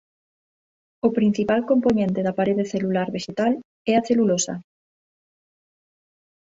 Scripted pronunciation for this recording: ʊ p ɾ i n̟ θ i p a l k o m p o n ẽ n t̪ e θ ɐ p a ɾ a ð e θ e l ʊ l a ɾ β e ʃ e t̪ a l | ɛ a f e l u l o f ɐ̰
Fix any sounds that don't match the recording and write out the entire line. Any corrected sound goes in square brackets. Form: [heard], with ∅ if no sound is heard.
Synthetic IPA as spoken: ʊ p ɾ i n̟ θ i p a l k o m p o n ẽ n t̪ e [ð] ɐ p a ɾ [e] ð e θ e l [u] l a ɾ β e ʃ e t̪ a l | ɛ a [θ] e l u l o [s] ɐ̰